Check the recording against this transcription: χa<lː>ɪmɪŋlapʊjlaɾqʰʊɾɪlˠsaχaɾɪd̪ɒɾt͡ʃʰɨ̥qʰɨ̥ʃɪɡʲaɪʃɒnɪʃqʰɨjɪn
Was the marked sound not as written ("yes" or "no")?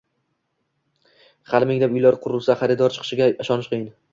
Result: yes